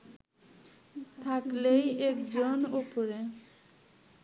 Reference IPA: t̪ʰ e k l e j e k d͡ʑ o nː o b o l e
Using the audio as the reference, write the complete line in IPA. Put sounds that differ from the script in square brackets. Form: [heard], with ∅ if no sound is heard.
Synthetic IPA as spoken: t̪ʰ [a] k l e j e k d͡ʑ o [n] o [p] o [ɾ] e